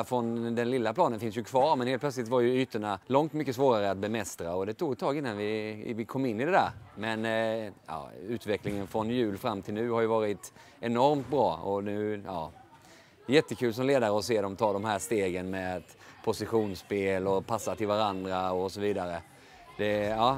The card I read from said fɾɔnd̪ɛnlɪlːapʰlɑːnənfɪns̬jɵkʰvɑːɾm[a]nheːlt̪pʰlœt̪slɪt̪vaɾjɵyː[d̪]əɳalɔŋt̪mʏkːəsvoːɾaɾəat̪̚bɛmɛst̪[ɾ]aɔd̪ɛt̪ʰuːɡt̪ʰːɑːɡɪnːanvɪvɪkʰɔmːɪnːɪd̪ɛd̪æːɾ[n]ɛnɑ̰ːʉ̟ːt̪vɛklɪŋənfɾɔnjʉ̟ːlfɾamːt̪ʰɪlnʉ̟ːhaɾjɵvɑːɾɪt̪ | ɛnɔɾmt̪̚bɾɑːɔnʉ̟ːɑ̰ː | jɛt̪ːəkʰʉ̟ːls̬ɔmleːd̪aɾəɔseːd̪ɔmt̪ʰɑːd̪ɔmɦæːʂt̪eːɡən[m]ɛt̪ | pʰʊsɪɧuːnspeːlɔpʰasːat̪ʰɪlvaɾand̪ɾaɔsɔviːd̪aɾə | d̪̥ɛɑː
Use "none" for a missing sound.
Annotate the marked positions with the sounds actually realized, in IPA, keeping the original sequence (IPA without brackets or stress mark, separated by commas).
ɛ, t̪, ɾ, m, m